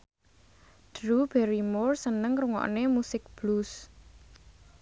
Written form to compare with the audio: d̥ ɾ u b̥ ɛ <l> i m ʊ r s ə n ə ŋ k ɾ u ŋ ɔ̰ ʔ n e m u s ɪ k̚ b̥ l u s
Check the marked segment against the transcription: incorrect: ɾ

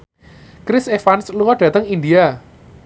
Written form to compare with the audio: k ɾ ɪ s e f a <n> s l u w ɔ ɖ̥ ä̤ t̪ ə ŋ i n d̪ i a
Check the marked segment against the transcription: correct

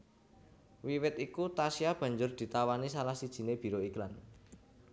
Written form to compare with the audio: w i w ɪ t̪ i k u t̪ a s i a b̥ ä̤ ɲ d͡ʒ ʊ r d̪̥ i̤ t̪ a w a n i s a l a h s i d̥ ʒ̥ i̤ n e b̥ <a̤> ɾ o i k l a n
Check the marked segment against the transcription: incorrect: i̤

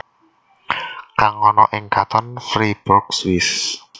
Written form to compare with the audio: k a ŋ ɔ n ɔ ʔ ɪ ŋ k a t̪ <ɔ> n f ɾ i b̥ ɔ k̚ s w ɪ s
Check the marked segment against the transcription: correct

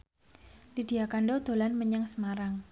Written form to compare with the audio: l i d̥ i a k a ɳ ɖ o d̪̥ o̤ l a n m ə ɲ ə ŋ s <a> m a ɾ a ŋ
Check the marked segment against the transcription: incorrect: ə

